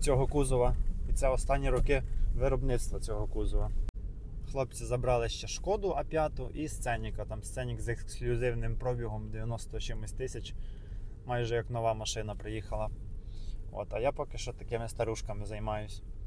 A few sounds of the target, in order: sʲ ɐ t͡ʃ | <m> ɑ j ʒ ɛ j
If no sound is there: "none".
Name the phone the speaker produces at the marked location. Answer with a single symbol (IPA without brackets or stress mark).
m